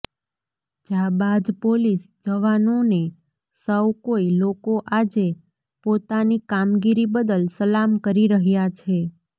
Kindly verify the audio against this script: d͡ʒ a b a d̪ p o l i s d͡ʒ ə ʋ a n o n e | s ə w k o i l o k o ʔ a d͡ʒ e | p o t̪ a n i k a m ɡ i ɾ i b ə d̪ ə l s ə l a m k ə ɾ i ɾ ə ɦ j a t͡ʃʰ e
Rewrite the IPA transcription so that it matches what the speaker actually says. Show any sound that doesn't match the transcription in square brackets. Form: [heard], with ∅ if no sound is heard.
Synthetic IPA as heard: d͡ʒ a b a d̪ p o l i s d͡ʒ ə ʋ a n o n e | s ə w k o i l o k o ʔ a d͡ʒ e | p o t̪ a n i k a m ɡ i ɾ i b ə d̪ ə l s ə l a m k ə ɾ i ɾ ə ɦ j a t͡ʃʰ e